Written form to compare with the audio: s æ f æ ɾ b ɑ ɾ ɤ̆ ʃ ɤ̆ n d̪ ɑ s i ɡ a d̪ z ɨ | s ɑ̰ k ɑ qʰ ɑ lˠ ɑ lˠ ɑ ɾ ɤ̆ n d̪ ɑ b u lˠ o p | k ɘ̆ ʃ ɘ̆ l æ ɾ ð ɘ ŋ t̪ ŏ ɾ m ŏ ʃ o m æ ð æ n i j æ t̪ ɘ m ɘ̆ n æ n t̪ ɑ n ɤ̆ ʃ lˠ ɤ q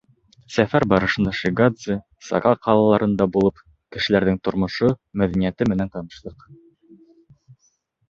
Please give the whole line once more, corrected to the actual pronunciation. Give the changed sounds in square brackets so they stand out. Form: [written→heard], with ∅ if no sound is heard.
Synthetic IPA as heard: s æ f æ ɾ b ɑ ɾ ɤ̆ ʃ ɤ̆ n d̪ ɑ [s→ʃ] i ɡ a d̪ z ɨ | s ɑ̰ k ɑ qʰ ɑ lˠ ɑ lˠ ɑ ɾ ɤ̆ n d̪ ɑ b u lˠ [o→ɤ] p | k ɘ̆ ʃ ɘ̆ l æ ɾ ð ɘ ŋ t̪ ŏ ɾ m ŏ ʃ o m æ ð æ n i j æ t̪ ɘ m ɘ̆ n æ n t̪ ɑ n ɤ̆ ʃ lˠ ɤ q